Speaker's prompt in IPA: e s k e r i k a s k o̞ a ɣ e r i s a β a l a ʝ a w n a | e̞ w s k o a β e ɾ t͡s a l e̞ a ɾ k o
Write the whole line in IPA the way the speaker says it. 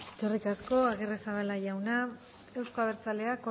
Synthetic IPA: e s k e r i k a s k o̞ a ɣ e r e s a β a l a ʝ a w n a | e̞ w s k o a β e ɾ t͡s a l e̞ a k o